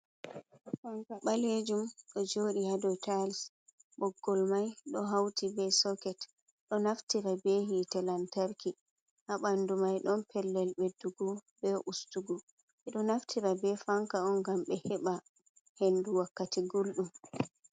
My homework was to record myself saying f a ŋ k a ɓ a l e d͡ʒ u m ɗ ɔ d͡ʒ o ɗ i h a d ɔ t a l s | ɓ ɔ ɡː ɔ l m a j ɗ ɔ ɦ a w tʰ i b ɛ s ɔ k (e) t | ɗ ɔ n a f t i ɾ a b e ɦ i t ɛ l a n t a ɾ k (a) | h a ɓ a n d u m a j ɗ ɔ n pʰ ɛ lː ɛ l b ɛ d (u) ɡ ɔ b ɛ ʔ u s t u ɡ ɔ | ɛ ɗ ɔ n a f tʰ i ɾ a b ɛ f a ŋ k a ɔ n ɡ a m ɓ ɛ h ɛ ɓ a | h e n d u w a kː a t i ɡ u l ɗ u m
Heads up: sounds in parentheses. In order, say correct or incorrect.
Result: incorrect: ɛ, incorrect: i, correct

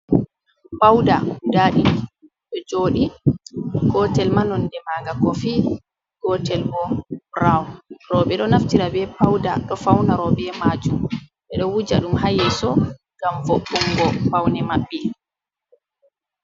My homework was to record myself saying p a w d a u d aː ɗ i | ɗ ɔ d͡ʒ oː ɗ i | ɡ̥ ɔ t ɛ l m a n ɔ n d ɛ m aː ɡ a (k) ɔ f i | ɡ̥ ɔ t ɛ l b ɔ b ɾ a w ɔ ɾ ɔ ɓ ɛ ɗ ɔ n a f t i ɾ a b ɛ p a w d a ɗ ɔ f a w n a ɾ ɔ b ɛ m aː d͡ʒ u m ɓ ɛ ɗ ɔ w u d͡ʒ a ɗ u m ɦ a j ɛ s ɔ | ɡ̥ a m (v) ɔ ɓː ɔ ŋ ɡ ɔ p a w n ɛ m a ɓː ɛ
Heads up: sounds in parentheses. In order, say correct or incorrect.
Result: correct, correct

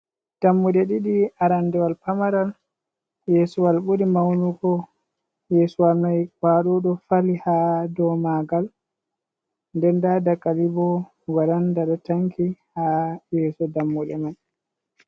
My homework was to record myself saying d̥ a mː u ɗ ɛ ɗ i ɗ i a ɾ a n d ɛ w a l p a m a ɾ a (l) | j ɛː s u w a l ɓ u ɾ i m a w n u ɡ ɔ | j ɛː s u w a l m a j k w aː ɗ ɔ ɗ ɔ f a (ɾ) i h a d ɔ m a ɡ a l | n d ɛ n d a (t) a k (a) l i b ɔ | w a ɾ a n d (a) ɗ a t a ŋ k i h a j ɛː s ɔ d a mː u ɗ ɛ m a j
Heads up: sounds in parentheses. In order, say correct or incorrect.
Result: correct, incorrect: l, incorrect: d, correct, correct

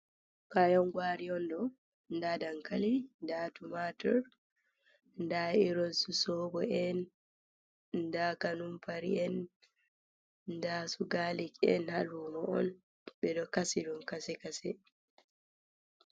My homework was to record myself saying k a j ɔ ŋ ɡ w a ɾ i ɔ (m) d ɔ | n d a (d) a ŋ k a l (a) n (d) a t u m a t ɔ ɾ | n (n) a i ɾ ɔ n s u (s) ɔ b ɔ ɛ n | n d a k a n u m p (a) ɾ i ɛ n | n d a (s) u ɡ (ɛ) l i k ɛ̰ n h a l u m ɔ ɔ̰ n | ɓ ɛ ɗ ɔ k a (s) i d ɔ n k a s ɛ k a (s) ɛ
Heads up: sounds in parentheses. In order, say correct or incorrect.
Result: incorrect: n, correct, incorrect: i, correct, incorrect: d, correct, correct, correct, incorrect: a, correct, correct

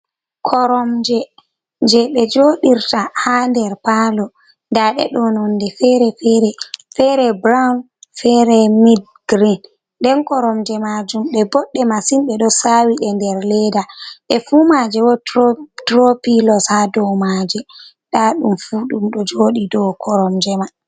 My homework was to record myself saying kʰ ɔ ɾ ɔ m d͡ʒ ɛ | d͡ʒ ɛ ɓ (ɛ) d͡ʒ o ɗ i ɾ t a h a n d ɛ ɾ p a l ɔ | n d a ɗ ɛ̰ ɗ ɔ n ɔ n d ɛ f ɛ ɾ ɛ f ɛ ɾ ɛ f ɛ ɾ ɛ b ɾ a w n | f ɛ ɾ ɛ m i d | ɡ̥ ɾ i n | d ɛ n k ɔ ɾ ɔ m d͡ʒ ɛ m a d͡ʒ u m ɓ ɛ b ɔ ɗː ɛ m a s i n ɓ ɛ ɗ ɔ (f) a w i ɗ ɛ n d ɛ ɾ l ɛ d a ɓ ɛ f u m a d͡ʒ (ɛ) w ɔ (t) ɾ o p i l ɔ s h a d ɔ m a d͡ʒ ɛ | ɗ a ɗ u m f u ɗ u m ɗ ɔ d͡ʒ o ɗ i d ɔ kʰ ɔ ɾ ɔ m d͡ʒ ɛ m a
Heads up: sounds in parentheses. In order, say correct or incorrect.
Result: correct, incorrect: s, correct, correct

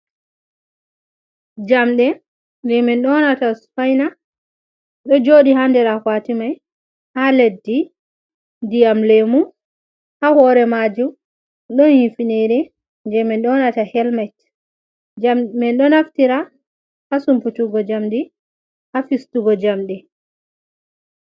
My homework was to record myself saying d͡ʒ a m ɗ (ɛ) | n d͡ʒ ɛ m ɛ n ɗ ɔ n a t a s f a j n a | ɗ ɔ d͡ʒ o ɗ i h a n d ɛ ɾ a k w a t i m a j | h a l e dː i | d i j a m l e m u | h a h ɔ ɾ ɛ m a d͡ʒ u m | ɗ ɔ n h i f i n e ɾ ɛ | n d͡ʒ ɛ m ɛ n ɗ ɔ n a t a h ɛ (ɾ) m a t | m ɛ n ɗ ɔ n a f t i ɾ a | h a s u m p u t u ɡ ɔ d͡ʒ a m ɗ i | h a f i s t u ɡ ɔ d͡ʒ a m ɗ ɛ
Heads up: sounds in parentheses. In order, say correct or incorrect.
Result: correct, incorrect: l

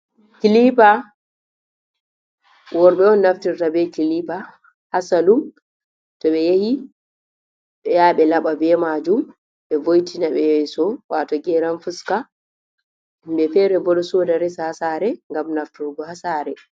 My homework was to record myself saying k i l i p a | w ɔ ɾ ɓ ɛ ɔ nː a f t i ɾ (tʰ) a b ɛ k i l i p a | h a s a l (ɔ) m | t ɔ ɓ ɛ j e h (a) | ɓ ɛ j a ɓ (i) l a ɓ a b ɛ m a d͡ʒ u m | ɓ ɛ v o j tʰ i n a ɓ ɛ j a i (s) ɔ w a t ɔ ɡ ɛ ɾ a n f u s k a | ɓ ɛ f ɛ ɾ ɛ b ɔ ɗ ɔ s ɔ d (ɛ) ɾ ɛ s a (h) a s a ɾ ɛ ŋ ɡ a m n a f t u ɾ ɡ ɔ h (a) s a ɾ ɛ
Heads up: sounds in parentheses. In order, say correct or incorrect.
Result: incorrect: t, incorrect: u, incorrect: i, incorrect: ɛ, correct, incorrect: a, correct, correct

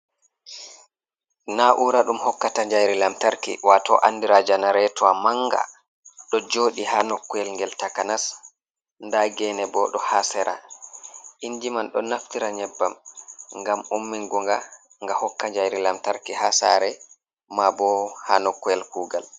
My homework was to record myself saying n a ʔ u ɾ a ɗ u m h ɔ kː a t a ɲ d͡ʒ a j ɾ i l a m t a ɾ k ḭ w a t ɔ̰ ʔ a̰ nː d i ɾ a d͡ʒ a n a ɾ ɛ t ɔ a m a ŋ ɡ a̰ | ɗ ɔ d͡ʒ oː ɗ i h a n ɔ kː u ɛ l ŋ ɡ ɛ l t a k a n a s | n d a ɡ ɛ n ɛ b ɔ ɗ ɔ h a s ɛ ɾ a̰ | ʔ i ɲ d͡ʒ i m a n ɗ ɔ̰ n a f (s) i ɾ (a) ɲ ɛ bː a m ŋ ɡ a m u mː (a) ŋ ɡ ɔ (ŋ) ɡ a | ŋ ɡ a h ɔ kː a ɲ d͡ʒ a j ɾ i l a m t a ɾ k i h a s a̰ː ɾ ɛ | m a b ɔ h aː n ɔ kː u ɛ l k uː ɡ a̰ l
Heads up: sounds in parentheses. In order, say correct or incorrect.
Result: incorrect: t, correct, incorrect: i, correct

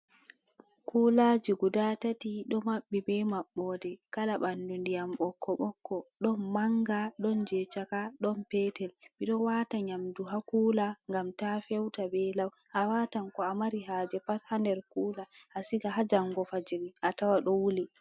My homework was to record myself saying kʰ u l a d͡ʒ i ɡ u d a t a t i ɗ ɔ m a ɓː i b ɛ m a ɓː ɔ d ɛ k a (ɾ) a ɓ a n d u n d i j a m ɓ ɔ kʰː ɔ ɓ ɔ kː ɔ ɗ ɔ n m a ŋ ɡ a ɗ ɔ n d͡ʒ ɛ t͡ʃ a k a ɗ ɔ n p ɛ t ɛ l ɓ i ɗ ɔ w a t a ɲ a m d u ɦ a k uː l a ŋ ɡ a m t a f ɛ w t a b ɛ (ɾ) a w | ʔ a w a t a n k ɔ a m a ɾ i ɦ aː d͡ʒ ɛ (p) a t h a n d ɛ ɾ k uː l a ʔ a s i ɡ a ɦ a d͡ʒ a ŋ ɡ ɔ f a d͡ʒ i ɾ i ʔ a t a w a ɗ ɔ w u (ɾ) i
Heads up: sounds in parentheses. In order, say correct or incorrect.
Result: incorrect: l, incorrect: l, correct, incorrect: l

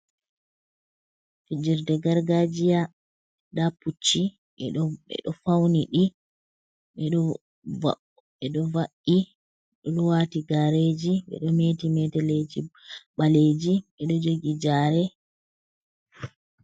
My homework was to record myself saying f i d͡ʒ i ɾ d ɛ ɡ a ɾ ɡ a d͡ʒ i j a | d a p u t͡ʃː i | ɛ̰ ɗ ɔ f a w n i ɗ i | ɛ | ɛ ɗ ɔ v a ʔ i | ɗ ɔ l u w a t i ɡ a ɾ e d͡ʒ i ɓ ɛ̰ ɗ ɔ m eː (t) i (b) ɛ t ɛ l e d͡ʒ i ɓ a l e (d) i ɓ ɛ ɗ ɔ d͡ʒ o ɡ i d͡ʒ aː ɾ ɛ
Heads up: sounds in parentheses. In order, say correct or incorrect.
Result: correct, incorrect: m, incorrect: d͡ʒ

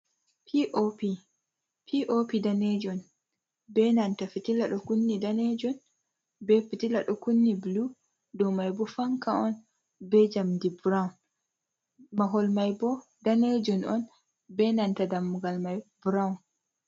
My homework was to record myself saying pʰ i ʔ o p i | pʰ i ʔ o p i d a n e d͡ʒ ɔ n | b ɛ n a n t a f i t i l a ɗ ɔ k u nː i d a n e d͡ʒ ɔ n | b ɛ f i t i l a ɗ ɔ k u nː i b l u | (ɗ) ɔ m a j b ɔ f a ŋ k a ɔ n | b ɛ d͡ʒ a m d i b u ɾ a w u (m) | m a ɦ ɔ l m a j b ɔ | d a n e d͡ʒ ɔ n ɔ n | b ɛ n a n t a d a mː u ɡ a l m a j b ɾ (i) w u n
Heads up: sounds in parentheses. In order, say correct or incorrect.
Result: incorrect: d, incorrect: n, incorrect: a

